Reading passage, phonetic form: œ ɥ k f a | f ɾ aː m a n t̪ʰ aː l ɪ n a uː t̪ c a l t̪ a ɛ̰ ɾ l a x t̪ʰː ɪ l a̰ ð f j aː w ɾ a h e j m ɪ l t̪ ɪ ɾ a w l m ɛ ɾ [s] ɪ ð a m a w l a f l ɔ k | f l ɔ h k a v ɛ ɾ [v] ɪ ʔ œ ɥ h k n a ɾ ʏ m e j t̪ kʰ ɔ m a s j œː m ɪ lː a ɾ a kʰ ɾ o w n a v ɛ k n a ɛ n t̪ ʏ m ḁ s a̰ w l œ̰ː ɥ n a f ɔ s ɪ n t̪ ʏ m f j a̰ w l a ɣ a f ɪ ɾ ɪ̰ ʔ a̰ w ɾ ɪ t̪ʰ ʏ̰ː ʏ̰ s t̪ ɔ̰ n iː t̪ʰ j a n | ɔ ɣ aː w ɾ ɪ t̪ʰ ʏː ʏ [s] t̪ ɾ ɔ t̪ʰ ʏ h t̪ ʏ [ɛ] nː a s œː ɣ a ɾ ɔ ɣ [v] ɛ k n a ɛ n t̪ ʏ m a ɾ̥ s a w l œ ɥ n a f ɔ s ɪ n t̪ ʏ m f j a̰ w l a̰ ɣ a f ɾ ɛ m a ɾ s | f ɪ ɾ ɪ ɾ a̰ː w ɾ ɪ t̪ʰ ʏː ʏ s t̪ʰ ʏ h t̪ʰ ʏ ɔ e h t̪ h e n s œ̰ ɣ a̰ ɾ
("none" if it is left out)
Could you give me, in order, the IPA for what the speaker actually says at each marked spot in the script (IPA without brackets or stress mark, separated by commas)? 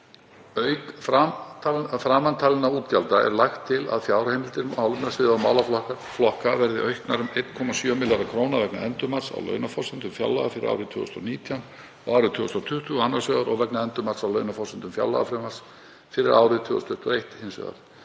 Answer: s, ð, s, a, v